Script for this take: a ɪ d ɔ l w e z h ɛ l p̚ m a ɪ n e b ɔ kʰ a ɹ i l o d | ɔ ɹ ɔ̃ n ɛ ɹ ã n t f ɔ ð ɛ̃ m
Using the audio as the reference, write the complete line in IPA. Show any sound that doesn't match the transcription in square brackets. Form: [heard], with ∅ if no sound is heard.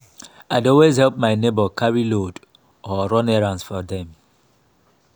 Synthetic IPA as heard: a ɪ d ɔ l w e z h ɛ l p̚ m a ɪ n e b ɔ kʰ a ɹ i l o d | ɔ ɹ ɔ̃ n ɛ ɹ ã n [s] f ɔ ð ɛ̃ m

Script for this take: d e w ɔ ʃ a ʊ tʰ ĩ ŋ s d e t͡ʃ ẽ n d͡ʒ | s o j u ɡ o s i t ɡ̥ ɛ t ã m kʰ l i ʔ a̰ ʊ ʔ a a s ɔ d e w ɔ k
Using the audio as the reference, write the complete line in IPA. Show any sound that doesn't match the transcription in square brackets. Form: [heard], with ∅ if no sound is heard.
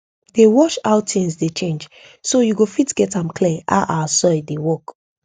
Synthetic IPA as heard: d e w ɔ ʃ a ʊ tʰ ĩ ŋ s d e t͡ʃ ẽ n d͡ʒ | s o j u ɡ o [f] i t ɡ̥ ɛ t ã m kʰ l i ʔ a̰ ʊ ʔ a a s ɔ d e w ɔ k

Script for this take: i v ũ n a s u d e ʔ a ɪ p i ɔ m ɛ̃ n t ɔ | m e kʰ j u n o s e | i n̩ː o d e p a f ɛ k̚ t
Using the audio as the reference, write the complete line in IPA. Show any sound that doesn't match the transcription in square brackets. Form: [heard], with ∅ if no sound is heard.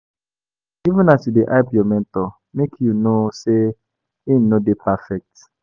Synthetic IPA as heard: i v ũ n a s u d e ʔ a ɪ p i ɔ m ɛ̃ n t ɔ | m e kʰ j u n o s e | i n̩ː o d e p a f ɛ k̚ t

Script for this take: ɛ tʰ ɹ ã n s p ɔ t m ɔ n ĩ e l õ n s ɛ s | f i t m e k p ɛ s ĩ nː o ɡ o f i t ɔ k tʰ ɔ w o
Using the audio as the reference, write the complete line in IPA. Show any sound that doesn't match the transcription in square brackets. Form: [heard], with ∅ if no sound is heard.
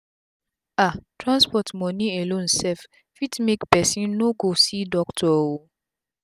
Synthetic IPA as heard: [a] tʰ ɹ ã n s p ɔ t m ɔ n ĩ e l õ n s ɛ [f] | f i t m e k p ɛ s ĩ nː o ɡ o [s] i [d] ɔ k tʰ ɔ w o

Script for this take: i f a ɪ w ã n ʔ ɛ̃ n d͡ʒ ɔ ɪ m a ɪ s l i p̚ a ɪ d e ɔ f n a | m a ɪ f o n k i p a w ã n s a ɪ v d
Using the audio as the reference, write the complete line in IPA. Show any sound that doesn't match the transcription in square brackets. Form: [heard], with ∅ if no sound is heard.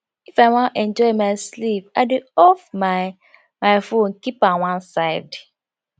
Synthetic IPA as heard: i f a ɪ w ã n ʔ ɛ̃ n d͡ʒ ɔ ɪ m a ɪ s l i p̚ a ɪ d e ɔ f [m] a | m a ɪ f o n k i p a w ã n s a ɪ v d

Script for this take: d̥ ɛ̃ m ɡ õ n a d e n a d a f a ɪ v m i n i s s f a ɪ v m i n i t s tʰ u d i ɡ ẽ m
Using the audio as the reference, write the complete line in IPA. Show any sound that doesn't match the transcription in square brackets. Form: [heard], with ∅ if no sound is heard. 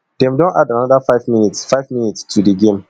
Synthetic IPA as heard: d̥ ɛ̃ m [d] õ n a d [a] n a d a f a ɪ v m i n i [t] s f a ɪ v m i n i t s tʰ u d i ɡ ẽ m

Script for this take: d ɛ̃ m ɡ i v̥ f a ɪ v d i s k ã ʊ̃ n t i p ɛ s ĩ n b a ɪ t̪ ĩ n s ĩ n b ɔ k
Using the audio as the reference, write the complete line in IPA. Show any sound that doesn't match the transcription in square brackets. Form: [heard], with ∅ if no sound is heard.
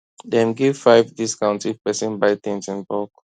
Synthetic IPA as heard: d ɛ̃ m ɡ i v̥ f a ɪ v d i s k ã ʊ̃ n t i p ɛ s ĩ n b a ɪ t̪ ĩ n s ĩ n b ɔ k

